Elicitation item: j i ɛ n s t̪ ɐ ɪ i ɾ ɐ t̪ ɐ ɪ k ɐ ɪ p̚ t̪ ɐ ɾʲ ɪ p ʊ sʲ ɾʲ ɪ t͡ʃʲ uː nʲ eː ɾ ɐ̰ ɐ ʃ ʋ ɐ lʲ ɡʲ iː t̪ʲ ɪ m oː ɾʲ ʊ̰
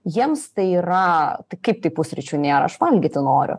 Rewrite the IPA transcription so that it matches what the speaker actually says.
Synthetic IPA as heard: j i ɛ m s t̪ ɐ ɪ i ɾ ɐ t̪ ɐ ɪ k ɐ ɪ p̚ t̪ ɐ ɪ p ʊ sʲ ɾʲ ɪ t͡ʃʲ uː nʲ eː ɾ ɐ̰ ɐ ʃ ʋ ɐ lʲ ɡʲ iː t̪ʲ ɪ n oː ɾʲ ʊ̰